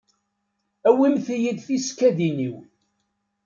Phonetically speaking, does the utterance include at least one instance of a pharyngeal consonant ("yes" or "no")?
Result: no